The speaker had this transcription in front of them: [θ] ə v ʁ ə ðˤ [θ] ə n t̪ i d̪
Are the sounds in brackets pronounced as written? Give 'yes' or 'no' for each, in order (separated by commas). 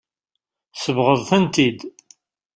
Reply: no, yes